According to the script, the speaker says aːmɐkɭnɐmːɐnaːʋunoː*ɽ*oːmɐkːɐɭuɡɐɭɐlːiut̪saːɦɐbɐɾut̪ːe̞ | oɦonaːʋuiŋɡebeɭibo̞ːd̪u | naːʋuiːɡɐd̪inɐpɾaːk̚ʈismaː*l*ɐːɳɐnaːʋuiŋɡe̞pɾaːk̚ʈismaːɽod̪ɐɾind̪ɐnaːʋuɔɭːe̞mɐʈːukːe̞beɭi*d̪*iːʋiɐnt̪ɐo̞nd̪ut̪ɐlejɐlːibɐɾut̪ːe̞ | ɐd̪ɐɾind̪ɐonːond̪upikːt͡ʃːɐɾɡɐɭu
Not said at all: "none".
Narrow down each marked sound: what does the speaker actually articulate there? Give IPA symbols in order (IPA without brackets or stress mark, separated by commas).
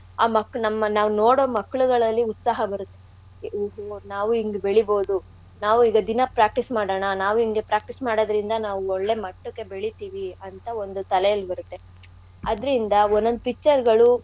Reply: ɽ, ɽ, t̪